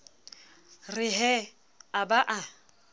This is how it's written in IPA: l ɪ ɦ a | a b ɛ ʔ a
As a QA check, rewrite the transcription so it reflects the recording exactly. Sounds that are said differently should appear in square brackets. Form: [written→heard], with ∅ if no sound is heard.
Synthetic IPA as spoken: [l→r] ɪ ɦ [a→ɛ] | a b [ɛ→a] ʔ a